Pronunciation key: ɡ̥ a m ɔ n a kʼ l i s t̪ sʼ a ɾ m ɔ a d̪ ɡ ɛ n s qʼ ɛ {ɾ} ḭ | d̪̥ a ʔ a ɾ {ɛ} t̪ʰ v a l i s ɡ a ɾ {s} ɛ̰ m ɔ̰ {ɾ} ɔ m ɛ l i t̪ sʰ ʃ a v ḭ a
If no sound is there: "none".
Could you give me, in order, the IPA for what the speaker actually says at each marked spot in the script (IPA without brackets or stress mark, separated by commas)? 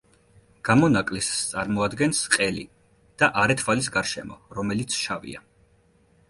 l, ɛ, ʃ, ɾ